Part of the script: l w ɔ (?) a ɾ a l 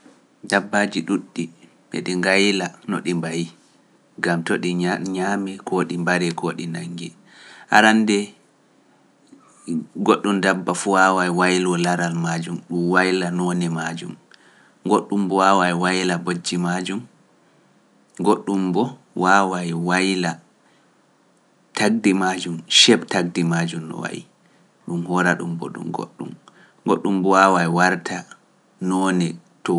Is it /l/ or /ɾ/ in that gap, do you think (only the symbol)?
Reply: l